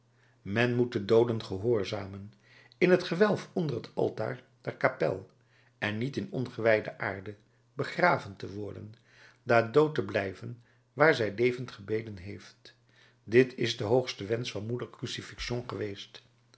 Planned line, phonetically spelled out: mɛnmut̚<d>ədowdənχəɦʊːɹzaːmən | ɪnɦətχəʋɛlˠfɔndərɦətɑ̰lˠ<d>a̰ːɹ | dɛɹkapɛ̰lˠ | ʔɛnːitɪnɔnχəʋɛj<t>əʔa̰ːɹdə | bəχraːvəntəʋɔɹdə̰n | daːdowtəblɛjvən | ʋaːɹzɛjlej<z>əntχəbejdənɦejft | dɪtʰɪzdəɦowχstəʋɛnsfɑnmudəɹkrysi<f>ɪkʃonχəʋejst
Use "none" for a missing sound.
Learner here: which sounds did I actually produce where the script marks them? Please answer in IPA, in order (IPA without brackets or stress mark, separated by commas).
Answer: d, t, d, v, f